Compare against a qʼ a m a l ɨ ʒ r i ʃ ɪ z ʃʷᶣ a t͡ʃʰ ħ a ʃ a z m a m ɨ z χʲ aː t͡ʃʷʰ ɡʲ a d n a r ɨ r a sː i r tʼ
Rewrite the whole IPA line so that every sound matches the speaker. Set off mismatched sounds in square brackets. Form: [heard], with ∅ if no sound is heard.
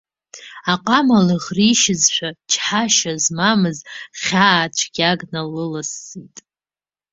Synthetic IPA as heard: a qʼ a m a l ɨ [ʁ] r i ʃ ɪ z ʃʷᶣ a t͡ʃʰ ħ a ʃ a z m a m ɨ z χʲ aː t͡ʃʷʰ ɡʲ a [ɡ] n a [l] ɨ [l] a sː i [∅] tʼ